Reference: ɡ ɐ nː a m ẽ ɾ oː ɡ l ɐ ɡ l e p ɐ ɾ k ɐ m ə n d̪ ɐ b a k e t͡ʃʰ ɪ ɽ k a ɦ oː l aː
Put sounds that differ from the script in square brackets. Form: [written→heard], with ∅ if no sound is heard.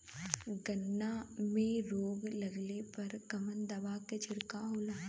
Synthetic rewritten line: ɡ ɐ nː a m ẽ ɾ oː ɡ l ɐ ɡ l e p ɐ ɾ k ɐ m ə n d̪ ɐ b a k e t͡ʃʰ ɪ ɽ k a ɦ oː l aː